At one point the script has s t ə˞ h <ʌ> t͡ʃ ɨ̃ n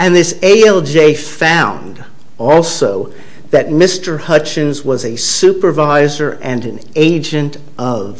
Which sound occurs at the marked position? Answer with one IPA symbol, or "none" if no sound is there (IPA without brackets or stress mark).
ʌ